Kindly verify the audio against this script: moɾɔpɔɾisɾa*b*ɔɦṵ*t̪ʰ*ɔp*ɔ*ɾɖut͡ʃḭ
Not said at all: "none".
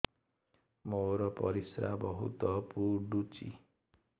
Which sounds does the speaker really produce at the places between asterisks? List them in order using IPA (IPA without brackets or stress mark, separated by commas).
b, t̪, u